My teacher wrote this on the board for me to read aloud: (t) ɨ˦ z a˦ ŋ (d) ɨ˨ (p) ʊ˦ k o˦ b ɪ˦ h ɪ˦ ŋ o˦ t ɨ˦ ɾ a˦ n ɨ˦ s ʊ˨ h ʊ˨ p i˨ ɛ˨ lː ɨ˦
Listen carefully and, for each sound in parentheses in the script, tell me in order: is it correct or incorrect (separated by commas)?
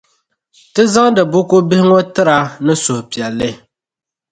correct, correct, incorrect